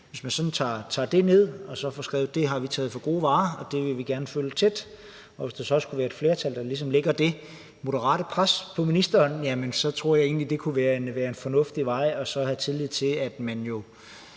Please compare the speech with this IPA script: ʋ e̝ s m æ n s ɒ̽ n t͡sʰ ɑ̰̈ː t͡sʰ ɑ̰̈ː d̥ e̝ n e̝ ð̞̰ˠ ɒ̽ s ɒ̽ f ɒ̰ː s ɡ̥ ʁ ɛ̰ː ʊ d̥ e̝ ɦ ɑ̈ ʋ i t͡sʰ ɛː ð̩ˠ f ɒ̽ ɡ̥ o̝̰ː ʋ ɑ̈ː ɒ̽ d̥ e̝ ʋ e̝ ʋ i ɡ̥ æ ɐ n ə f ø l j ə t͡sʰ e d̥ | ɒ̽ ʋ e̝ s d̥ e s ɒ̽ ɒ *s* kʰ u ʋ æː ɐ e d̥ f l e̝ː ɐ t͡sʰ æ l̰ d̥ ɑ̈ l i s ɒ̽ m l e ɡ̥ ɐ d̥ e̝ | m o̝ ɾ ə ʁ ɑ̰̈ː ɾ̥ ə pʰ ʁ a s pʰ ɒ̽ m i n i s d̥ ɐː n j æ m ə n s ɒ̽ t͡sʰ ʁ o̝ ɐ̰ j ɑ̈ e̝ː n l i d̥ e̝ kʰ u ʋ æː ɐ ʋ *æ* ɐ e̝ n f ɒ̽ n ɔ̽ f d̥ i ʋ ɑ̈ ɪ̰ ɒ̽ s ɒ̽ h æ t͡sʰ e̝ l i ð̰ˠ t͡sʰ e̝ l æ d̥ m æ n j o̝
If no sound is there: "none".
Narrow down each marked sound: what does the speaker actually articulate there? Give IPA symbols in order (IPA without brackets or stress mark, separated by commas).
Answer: s, æː